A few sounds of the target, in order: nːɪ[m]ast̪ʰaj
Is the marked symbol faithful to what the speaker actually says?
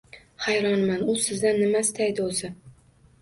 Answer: yes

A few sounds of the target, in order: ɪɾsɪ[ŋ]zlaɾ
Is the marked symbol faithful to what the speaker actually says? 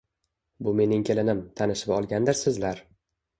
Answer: no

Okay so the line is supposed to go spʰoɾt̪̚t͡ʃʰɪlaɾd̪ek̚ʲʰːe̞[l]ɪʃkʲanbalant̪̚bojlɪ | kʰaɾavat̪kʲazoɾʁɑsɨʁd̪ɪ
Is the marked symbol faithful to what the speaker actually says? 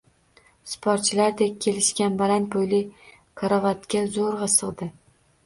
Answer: yes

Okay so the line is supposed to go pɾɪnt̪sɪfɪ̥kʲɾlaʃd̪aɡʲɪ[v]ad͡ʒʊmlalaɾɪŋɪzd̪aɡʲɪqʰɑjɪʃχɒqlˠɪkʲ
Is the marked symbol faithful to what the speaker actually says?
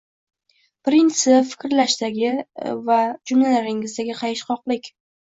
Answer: yes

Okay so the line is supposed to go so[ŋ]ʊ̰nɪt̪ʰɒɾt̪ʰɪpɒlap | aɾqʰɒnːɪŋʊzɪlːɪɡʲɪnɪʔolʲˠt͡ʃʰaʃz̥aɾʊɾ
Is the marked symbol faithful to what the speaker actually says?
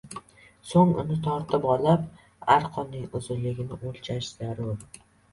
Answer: yes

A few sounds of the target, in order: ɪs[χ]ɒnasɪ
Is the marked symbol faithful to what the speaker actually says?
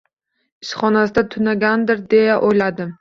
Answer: yes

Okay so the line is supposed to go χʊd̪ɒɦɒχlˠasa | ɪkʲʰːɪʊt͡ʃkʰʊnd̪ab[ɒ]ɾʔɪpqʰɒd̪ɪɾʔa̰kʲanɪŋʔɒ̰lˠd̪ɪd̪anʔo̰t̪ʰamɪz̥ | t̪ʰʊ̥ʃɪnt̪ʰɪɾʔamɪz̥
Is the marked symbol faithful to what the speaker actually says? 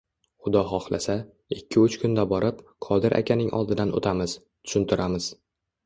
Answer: yes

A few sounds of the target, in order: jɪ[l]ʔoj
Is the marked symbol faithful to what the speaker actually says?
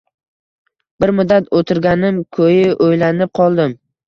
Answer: no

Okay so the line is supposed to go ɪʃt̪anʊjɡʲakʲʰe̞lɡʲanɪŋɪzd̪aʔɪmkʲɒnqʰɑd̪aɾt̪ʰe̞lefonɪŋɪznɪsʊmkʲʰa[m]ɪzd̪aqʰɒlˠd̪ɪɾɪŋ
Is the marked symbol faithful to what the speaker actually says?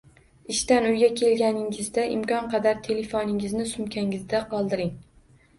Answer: no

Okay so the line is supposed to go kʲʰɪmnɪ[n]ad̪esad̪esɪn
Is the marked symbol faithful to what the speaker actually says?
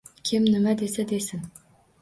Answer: no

